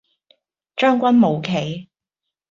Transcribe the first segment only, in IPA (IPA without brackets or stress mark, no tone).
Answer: t͡ʃ